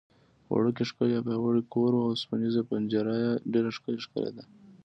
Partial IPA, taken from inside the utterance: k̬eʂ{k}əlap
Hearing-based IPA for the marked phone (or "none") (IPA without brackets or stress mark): k